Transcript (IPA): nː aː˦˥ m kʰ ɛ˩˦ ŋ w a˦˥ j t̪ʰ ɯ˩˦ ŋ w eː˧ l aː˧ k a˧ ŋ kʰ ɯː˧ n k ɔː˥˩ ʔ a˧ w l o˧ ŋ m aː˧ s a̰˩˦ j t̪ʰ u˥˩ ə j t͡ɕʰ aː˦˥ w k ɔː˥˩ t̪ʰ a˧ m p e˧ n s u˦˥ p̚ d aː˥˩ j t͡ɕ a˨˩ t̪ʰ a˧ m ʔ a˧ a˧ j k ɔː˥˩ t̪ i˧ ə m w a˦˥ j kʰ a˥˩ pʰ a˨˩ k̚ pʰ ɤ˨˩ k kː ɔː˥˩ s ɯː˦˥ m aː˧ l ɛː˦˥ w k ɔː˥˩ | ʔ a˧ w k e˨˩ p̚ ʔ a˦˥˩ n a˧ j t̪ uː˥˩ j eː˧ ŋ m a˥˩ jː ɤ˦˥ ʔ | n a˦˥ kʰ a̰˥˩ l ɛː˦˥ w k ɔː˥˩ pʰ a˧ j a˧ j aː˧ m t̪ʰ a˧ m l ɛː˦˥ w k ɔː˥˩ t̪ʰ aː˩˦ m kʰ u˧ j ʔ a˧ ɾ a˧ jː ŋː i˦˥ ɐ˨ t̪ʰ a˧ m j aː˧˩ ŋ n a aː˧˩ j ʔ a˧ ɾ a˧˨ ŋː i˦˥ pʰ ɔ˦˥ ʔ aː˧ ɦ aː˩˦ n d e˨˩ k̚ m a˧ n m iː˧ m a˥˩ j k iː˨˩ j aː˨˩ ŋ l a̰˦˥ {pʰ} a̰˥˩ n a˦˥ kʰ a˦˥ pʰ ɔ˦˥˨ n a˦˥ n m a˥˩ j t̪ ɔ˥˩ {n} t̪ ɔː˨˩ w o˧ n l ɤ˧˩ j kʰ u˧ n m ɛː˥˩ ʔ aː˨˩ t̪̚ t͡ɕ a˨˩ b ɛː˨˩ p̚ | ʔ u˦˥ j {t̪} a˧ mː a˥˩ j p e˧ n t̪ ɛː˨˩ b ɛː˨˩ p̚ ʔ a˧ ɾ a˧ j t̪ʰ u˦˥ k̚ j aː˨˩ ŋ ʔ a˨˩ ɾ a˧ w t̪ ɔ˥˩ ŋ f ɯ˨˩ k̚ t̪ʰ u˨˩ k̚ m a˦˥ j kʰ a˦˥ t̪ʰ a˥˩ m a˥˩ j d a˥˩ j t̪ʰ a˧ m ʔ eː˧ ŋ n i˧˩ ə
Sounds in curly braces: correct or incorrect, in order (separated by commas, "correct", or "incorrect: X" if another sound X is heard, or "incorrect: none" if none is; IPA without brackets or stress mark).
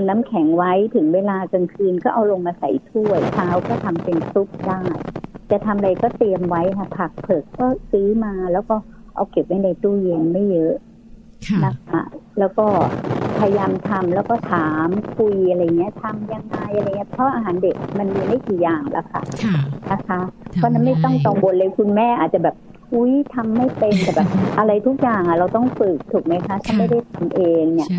incorrect: kʰ, incorrect: ŋ, incorrect: t̪ʰ